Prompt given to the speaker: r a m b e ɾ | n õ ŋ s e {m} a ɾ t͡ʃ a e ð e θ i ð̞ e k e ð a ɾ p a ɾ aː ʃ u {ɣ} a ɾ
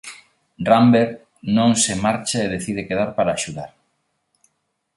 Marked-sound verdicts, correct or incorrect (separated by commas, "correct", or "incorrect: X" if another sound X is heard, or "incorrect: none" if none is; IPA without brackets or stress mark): correct, incorrect: ð